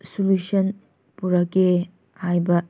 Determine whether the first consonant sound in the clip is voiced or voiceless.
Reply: voiceless